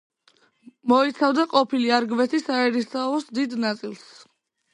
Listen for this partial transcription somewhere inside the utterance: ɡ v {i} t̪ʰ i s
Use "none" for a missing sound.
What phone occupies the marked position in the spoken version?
ɛ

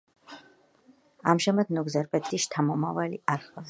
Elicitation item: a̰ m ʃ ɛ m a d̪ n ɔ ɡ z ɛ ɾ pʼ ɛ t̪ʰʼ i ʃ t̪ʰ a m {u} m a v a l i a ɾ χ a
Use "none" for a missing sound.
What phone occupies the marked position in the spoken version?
ɔ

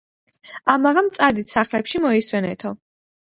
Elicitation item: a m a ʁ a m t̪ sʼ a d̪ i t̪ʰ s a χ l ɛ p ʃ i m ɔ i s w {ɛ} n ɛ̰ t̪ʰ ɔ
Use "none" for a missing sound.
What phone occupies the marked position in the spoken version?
ɛ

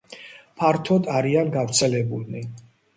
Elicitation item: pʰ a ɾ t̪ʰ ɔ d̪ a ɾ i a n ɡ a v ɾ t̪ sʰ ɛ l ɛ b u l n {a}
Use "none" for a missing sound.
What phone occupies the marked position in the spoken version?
i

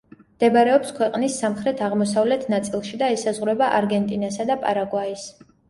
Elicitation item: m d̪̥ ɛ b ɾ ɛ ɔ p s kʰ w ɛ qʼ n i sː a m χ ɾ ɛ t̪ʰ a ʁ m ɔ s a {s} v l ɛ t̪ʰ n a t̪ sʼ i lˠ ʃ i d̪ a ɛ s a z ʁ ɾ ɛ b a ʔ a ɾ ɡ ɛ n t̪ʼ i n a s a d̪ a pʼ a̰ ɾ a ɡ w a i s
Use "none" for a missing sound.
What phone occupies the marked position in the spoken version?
none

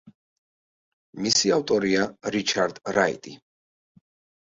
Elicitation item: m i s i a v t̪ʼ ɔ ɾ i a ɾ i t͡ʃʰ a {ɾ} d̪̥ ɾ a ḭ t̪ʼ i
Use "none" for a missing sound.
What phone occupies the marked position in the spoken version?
ɾ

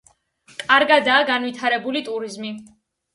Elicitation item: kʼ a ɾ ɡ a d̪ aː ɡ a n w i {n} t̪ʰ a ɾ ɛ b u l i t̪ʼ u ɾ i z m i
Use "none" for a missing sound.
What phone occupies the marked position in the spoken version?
none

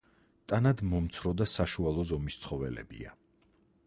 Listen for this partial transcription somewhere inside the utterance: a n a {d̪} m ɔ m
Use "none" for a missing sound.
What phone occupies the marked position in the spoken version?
d̪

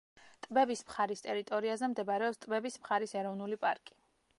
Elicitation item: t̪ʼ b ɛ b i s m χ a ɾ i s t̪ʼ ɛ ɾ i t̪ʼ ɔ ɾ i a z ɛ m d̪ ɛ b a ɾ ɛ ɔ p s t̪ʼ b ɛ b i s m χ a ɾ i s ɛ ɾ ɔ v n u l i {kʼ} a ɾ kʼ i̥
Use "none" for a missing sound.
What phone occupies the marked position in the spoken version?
pʼ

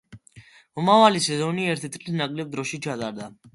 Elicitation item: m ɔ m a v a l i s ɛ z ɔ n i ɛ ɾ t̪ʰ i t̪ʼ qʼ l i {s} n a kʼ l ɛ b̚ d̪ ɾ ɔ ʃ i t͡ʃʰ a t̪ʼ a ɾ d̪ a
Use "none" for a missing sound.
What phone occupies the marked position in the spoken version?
s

